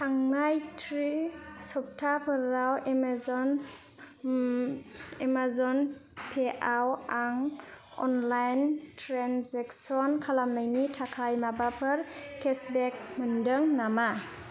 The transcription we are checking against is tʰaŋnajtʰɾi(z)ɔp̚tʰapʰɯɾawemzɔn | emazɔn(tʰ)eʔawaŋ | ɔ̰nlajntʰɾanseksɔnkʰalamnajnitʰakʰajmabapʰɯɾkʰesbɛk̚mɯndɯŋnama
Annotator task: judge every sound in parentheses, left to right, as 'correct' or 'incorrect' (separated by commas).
incorrect, incorrect